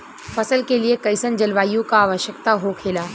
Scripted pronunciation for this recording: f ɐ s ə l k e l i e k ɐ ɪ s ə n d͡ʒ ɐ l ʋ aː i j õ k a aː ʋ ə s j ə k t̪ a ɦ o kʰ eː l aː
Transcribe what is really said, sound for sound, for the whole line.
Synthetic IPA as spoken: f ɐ s ə l k e l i e k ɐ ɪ s ə n d͡ʒ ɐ l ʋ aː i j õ k a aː ʋ ə ʃ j ə k t̪ a ɦ o kʰ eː l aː